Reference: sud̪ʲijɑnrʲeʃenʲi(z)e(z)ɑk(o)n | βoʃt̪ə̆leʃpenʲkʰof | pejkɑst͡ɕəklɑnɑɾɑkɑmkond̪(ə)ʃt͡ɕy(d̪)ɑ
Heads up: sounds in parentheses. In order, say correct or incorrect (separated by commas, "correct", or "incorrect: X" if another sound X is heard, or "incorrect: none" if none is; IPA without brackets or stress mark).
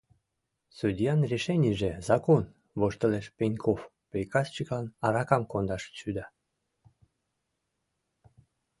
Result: incorrect: ʒ, correct, correct, incorrect: ɑ, correct